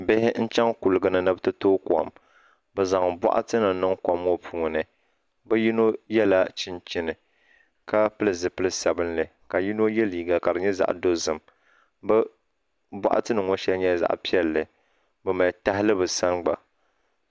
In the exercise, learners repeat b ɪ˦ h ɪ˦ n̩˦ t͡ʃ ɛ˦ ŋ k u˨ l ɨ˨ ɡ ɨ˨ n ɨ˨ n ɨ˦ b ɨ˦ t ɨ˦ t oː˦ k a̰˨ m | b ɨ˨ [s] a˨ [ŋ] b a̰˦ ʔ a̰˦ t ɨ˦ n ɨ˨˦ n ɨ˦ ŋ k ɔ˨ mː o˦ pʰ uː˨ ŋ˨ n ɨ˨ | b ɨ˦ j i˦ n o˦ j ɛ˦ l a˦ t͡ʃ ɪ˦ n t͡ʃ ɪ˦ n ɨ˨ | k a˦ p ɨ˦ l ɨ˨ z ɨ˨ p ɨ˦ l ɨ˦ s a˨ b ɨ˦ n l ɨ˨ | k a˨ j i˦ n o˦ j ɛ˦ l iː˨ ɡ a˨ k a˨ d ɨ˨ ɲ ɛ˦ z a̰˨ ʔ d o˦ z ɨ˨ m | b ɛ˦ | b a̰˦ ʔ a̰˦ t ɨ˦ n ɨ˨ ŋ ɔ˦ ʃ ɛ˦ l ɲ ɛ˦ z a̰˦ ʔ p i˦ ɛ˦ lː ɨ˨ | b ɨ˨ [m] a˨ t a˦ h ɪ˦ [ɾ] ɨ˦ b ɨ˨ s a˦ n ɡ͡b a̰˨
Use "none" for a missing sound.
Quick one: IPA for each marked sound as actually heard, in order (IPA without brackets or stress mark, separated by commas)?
z, ŋ, m, l